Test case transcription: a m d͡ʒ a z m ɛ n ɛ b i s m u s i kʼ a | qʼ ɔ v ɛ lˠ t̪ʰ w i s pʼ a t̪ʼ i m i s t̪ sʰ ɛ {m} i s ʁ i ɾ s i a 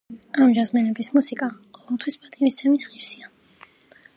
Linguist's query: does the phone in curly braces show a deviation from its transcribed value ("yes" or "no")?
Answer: no